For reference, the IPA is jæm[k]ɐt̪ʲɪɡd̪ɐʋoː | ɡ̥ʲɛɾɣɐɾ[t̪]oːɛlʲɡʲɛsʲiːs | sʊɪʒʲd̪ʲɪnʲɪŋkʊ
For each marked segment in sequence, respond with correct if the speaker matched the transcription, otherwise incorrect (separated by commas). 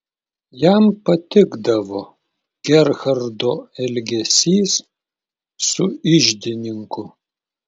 incorrect, incorrect